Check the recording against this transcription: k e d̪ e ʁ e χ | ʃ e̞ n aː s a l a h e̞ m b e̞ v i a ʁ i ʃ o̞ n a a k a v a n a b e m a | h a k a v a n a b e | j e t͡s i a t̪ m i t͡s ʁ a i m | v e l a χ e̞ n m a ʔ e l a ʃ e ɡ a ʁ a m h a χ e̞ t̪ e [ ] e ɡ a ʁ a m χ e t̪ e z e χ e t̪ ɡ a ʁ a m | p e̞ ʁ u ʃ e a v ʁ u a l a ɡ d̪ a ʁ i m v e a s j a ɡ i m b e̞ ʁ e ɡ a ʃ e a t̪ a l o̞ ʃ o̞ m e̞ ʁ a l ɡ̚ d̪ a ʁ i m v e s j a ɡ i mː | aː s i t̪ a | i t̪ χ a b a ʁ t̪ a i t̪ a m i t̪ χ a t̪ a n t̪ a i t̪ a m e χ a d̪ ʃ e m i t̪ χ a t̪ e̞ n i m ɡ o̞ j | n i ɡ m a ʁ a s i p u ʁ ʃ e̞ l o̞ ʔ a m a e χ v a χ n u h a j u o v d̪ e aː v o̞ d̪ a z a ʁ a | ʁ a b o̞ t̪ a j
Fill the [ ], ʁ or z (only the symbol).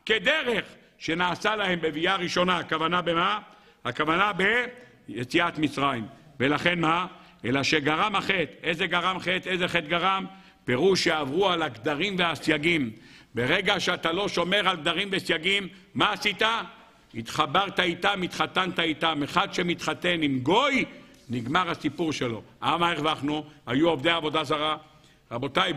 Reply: z